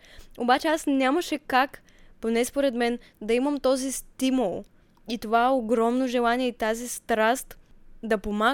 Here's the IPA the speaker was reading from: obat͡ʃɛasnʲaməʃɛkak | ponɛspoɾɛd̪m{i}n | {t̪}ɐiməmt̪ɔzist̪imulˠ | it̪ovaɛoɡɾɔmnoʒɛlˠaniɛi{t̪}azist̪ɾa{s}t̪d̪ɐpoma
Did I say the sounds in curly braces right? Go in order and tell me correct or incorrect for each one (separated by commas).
incorrect, incorrect, correct, correct